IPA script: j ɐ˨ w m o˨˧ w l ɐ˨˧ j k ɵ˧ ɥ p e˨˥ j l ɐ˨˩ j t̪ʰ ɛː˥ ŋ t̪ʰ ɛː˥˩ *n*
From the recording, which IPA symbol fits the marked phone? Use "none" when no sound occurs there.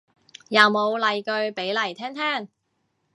ŋ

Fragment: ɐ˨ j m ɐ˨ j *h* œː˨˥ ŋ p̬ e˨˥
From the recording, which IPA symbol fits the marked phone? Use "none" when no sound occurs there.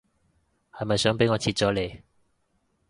s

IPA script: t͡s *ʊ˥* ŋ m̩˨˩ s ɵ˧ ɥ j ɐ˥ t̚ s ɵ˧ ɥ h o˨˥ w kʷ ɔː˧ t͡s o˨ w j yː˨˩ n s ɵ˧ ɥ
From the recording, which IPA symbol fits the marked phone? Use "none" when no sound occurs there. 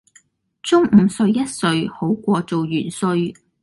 ʊ˥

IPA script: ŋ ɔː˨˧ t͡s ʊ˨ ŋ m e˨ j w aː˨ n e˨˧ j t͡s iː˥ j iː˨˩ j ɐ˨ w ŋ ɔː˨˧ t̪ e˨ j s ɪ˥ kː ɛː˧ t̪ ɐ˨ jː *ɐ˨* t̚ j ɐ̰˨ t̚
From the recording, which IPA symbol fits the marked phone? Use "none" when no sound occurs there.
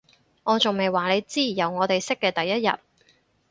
ɐ˥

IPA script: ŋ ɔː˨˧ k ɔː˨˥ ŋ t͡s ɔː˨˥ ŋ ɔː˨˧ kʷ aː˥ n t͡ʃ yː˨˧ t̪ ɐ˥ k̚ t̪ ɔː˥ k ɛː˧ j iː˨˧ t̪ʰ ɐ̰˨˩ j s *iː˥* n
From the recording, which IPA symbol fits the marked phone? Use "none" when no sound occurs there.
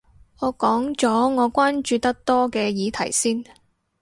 iː˥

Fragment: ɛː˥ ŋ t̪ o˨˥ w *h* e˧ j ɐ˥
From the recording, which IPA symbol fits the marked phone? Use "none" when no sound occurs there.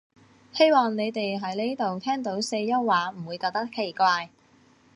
s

